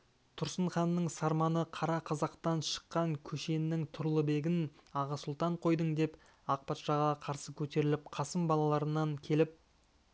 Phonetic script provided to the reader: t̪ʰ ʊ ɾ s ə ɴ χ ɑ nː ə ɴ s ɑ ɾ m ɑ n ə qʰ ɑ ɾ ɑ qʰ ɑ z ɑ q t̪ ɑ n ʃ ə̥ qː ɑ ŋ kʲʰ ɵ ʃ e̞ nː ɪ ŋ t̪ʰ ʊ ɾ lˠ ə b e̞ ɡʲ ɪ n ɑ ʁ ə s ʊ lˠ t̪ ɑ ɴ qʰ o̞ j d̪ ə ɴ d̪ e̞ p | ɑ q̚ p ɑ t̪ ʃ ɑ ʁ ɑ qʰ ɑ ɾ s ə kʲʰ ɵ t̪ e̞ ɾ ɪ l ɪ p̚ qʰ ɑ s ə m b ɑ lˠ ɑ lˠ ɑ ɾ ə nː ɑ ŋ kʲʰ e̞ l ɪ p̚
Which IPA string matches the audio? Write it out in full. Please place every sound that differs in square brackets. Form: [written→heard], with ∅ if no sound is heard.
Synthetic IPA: t̪ʰ ʊ ɾ s ə ɴ χ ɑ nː ə ɴ s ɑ ɾ m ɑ n ə qʰ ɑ ɾ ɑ qʰ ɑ z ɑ q t̪ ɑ n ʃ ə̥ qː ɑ ŋ kʲʰ ɵ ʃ e̞ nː ɪ ŋ t̪ʰ ʊ ɾ lˠ ə b e̞ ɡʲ ɪ n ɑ ʁ [ə→ɑ] s ʊ lˠ t̪ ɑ ɴ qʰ o̞ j d̪ ə ɴ d̪ e̞ p | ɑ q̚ p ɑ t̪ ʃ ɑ ʁ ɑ qʰ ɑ ɾ s ə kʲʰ ɵ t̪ e̞ ɾ ɪ l ɪ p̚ qʰ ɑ s ə m b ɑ lˠ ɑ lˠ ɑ ɾ ə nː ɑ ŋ kʲʰ e̞ l ɪ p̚